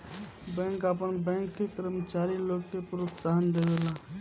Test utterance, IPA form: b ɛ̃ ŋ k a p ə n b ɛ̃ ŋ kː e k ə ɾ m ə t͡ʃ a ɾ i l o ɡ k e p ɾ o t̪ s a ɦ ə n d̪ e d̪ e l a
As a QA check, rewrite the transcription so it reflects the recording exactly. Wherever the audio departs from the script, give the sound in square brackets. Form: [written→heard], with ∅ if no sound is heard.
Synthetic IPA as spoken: b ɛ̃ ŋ k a p ə n b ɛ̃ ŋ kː e k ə ɾ m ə t͡ʃ a ɾ i l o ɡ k e p ɾ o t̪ s a ɦ ə n d̪ e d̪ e l a